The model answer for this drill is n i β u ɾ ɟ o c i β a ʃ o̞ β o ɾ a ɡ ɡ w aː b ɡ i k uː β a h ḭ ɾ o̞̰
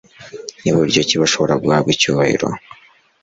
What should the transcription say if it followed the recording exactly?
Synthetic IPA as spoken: n i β u ɾ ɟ o c i β a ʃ o̞ β o ɾ a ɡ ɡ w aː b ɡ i c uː β a h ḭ ɾ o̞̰